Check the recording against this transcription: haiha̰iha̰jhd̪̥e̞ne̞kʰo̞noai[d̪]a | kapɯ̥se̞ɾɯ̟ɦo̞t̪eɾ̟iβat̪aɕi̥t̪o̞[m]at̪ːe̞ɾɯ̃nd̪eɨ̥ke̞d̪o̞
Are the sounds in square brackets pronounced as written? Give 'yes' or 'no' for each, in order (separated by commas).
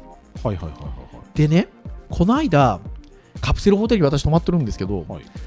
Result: yes, yes